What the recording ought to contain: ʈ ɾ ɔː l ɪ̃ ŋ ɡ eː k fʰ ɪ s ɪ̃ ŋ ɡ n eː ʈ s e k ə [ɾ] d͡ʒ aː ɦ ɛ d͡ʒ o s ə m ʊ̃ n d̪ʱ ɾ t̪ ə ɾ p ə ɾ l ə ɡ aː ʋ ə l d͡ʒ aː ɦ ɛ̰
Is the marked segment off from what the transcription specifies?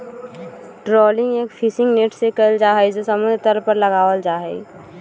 yes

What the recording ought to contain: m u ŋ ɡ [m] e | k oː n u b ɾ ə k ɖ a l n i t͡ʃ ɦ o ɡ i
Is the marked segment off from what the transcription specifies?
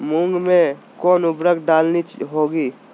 no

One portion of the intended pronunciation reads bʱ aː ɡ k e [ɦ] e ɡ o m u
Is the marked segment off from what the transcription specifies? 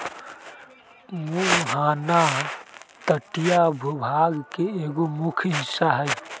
yes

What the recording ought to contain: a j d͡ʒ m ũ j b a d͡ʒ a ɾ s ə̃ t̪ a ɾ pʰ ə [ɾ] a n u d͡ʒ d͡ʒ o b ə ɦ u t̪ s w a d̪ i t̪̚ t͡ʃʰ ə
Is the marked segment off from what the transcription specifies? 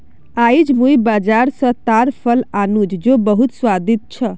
yes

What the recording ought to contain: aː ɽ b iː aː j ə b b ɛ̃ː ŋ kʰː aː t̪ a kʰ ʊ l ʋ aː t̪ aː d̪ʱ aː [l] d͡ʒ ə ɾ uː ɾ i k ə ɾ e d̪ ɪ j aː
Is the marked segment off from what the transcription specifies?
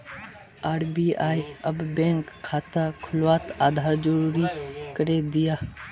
yes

